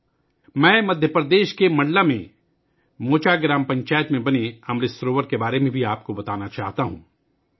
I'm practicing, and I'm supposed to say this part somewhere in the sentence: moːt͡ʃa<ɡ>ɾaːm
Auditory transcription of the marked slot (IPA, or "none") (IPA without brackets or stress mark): ɡ